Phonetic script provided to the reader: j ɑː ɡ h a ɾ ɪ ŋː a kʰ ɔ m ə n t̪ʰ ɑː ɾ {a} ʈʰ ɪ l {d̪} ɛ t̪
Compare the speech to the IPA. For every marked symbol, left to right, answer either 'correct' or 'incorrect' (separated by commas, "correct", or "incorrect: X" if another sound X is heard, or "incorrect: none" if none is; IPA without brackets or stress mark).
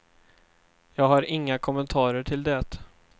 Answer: incorrect: ə, correct